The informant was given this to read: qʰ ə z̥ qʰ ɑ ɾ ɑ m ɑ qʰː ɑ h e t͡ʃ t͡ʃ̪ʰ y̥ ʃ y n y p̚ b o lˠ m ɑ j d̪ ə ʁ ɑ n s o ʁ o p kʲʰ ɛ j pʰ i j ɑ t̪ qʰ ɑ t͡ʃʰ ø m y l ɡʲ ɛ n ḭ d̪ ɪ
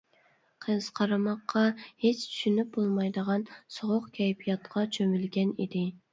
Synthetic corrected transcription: qʰ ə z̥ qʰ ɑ ɾ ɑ m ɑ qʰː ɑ h e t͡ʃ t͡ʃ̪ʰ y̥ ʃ y n y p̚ b o lˠ m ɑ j d̪ ə ʁ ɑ n s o ʁ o q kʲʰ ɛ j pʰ i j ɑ t̪ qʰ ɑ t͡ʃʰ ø m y l ɡʲ ɛ n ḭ d̪ ɪ

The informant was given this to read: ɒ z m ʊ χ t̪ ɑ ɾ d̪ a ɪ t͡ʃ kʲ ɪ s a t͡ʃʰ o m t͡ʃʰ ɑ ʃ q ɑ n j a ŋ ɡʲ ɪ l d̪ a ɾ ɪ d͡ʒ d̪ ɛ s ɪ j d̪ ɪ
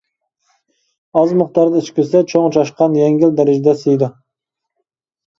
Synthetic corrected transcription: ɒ z m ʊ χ t̪ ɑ ɾ d̪ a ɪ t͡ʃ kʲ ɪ s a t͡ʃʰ o ŋ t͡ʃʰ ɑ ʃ q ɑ n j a ŋ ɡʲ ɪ l d̪ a ɾ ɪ d͡ʒ d̪ a s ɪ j d̪ ɪ

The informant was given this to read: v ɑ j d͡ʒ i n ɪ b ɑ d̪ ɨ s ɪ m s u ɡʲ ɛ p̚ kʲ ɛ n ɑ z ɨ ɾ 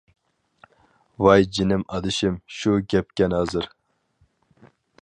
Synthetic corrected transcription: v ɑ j d͡ʒ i n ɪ m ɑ d̪ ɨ ʃ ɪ m ʃ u ɡʲ ɛ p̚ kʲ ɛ n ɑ z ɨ ɾ

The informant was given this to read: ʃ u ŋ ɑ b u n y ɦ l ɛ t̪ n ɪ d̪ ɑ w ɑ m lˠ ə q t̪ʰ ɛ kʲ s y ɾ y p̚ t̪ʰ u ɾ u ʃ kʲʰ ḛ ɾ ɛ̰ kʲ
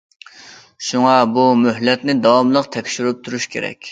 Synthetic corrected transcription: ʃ u ŋ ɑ b u m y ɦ l ɛ t̪ n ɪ d̪ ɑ w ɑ m lˠ ə q t̪ʰ ɛ kʲ ʃ y ɾ y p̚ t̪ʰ u ɾ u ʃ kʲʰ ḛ ɾ ɛ̰ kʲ

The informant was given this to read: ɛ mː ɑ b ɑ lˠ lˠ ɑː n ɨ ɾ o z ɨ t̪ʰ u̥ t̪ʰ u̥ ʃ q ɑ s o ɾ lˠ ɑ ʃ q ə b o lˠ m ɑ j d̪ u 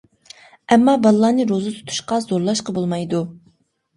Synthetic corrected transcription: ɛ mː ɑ b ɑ lˠ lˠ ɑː n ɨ ɾ o z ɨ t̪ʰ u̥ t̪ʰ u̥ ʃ q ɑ z o ɾ lˠ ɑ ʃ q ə b o lˠ m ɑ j d̪ u

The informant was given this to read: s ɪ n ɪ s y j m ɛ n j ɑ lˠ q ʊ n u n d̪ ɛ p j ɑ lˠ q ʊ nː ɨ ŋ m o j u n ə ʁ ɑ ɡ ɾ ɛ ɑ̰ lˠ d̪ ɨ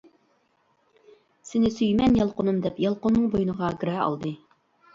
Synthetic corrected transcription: s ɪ n ɪ s y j m ɛ n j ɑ lˠ q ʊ n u m d̪ ɛ p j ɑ lˠ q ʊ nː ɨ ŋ b o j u n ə ʁ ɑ ɡ ɾ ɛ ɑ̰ lˠ d̪ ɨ

